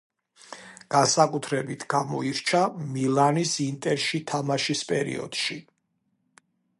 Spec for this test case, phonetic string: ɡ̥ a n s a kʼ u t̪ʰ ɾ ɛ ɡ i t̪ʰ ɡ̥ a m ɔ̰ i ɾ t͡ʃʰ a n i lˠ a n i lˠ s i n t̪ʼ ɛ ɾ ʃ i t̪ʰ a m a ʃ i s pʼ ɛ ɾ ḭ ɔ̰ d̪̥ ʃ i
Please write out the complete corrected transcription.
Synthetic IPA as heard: ɡ̥ a n s a kʼ u t̪ʰ ɾ ɛ b i t̪ʰ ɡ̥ a m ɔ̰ i ɾ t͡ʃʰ a m i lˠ a n i s i n t̪ʼ ɛ ɾ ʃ i t̪ʰ a m a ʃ i s pʼ ɛ ɾ ḭ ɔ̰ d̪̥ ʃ i